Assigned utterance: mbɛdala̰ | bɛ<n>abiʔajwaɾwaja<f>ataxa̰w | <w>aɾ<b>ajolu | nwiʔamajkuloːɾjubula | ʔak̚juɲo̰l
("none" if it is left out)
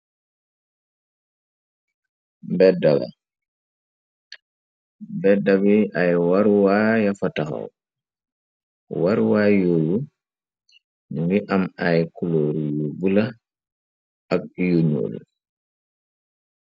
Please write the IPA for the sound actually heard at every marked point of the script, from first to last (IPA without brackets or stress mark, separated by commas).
d, f, w, w